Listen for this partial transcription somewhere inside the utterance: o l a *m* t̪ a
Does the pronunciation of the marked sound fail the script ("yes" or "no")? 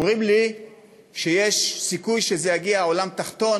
no